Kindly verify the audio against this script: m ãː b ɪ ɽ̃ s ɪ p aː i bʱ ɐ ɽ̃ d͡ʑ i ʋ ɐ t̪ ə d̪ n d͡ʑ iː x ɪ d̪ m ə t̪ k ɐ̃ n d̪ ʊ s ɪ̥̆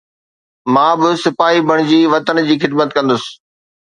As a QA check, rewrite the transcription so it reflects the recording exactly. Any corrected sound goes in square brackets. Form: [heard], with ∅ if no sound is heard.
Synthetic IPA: m ãː b ɪ [∅] s ɪ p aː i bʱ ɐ ɽ̃ d͡ʑ [iː] ʋ ɐ t̪ ə [∅] n d͡ʑ iː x ɪ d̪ m ə t̪ k ɐ̃ n d̪ ʊ s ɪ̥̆